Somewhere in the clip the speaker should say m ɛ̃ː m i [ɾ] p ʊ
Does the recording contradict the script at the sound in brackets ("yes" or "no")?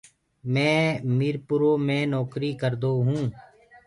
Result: no